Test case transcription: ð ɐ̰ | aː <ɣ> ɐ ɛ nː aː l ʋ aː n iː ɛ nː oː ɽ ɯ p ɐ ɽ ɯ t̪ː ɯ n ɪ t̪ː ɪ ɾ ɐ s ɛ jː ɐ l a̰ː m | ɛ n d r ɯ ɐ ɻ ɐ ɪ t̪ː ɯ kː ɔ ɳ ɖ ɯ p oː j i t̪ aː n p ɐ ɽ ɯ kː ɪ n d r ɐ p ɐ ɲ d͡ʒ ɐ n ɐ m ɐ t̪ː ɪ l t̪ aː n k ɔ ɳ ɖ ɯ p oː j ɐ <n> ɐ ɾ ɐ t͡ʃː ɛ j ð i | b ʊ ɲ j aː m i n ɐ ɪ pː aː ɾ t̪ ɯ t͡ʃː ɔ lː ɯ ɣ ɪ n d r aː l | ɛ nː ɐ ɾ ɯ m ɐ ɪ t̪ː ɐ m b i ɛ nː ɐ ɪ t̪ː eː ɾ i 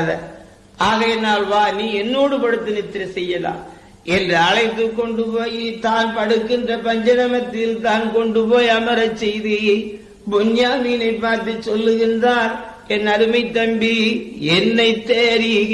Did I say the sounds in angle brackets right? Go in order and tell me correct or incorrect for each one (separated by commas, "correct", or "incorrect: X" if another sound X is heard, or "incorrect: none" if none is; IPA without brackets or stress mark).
correct, incorrect: m